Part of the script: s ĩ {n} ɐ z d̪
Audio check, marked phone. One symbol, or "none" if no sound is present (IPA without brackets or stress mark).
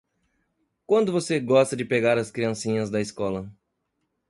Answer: ɲ